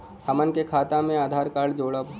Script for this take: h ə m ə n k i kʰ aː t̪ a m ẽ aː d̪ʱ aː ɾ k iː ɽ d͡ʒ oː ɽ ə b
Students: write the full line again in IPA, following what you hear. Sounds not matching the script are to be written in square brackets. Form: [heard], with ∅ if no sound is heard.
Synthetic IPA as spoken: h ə m ə n k [e] kʰ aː t̪ a m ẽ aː d̪ʱ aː ɾ k [aː] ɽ d͡ʒ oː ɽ ə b